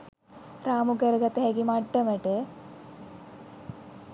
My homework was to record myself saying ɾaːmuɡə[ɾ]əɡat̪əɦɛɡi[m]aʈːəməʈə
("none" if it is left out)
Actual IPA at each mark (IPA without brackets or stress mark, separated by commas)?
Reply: ɾ, m